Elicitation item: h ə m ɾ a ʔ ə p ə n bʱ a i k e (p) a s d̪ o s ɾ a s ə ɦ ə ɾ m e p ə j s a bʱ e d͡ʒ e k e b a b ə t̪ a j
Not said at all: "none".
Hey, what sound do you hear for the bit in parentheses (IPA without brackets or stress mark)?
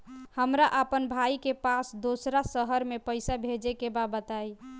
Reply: p